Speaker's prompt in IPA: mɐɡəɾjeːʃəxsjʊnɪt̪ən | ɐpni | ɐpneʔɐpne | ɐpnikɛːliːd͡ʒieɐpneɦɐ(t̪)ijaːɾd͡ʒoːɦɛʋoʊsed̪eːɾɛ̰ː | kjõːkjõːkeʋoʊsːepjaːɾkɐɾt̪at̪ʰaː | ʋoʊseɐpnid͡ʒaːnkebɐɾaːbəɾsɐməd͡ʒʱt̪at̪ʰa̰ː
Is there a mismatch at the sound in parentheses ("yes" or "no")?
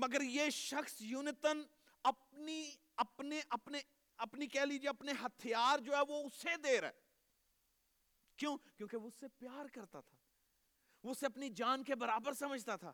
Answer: yes